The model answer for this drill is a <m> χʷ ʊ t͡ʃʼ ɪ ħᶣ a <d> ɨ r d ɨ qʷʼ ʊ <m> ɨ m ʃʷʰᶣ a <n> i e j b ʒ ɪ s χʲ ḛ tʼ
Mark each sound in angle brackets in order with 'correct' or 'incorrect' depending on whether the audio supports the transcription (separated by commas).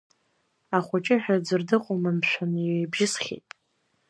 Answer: incorrect, incorrect, correct, correct